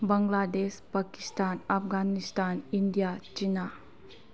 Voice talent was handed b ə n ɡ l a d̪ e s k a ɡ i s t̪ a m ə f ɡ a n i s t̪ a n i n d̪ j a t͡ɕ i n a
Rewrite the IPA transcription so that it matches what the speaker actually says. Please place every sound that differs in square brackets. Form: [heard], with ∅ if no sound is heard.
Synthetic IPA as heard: b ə [ŋ] ɡ l a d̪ e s [p] a [k] i s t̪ a [n] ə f ɡ a n i s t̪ a n i n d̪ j a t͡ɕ i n a

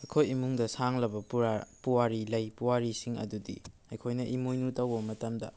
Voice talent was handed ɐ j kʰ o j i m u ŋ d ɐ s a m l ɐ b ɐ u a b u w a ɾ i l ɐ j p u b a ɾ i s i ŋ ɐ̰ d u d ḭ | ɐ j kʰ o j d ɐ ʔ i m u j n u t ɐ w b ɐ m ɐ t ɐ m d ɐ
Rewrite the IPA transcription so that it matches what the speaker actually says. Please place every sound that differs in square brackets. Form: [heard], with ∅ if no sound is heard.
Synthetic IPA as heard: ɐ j kʰ o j i m u ŋ d ɐ s a [ŋ] l ɐ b ɐ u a [p] u w a ɾ i l ɐ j p u [w] a ɾ i s i ŋ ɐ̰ d u d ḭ | ɐ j kʰ o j [n] ɐ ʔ i m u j n u t ɐ w b ɐ m ɐ t ɐ m d ɐ

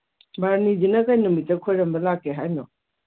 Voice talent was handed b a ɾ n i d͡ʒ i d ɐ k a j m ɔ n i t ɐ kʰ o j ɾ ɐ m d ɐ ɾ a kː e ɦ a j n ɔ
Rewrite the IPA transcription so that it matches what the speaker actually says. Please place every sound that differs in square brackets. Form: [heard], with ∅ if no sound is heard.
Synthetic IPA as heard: b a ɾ n i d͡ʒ i [n] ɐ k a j [n] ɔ [m] i t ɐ kʰ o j ɾ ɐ m [b] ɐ [l] a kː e ɦ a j n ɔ

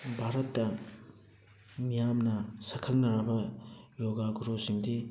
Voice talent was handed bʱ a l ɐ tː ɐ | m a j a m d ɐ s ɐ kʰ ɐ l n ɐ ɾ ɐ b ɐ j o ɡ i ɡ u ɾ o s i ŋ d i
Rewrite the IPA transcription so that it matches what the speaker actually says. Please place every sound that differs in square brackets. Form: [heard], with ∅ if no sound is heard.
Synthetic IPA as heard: bʱ a [ɾ] ɐ tː ɐ | m [i] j a m [n] ɐ s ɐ kʰ ɐ l n ɐ ɾ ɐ b ɐ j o ɡ [a] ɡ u ɾ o s i ŋ d i

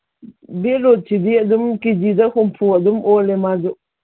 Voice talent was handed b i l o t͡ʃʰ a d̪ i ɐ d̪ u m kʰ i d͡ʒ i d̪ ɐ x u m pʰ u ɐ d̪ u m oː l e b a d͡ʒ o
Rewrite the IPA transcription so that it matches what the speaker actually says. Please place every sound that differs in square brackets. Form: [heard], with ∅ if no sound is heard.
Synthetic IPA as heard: b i l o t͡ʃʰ [i] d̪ i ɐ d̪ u m [k] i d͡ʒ i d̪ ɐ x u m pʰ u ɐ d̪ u m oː l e [m] a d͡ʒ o

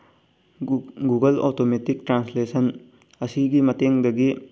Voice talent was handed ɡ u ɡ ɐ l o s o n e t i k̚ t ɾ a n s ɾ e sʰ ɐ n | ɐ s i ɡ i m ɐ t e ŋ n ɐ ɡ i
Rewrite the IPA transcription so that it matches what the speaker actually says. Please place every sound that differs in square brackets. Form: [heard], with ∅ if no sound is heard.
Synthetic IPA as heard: ɡ u ɡ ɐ l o [t] o [m] e t i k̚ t ɾ a n s [l] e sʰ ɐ n | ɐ s i ɡ i m ɐ t e ŋ [d] ɐ ɡ i

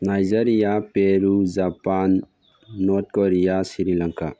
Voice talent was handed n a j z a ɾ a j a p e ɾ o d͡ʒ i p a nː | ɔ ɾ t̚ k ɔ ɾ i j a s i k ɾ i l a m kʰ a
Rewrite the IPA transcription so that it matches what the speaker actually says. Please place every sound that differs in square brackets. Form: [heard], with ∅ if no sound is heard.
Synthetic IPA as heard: n a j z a ɾ [i] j a p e ɾ [u] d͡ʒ [a] p a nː | ɔ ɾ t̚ k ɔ ɾ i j a s i [∅] ɾ i l a [ŋ] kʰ a

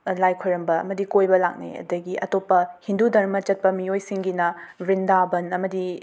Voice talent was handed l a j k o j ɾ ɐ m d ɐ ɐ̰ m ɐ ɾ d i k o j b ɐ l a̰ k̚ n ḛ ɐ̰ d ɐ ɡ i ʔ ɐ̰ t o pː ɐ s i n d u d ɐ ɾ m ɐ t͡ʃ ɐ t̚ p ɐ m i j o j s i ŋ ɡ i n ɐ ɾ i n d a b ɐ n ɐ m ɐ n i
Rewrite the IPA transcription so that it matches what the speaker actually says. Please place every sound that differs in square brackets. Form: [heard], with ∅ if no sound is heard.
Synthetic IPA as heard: l a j [kʰ] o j ɾ ɐ m [b] ɐ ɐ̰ m ɐ [∅] d i k o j b ɐ l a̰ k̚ n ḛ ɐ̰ d ɐ ɡ i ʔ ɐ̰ t o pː ɐ [h] i n d u d ɐ ɾ m ɐ t͡ʃ ɐ t̚ p ɐ m i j o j s i ŋ ɡ i n ɐ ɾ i n d a b ɐ n ɐ m ɐ [d] i

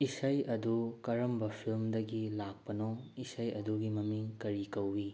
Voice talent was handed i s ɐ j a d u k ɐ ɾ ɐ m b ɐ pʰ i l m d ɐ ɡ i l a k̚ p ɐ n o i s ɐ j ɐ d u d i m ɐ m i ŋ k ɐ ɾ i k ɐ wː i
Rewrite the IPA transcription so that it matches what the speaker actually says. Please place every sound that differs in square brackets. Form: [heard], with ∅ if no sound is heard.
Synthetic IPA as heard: i s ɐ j [ɐ] d u k ɐ ɾ ɐ m b ɐ pʰ i l m d ɐ ɡ i l a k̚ p ɐ n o i s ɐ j ɐ d u [ɡ] i m ɐ m i ŋ k ɐ ɾ i k ɐ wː i

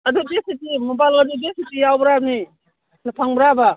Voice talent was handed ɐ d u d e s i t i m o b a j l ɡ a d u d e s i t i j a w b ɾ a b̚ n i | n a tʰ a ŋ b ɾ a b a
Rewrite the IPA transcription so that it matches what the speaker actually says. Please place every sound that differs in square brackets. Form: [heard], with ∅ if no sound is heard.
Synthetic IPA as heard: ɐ d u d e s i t i m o b a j l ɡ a d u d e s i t i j a w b ɾ a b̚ n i | n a [pʰ] a ŋ b ɾ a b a

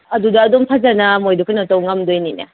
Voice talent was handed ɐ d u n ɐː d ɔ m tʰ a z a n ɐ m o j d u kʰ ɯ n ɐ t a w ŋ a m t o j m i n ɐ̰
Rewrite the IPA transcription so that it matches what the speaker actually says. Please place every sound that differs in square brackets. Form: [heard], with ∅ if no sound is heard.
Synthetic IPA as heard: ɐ d u [d] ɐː d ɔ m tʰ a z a n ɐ m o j d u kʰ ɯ n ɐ t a w ŋ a m [d] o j [n] i n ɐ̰

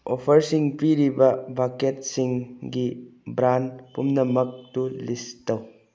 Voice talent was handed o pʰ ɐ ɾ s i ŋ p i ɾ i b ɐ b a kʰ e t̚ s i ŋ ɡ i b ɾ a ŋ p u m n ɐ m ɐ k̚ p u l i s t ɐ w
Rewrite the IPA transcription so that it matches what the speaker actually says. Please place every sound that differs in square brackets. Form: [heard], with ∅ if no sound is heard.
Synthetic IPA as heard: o pʰ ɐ ɾ s i ŋ p i ɾ i b ɐ b a [k] e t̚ s i ŋ ɡ i b ɾ a [n] p u m n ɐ m ɐ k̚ [t] u l i s t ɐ w

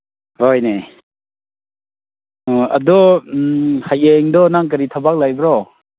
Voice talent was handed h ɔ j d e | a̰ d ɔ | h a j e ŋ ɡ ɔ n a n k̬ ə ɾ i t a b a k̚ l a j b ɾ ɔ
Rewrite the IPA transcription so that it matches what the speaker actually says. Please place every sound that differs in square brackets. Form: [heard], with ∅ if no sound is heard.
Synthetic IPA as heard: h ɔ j [n] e | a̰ d ɔ | h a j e ŋ [d] ɔ n a [ŋ] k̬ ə ɾ i [tʰ] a b a k̚ l a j b ɾ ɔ

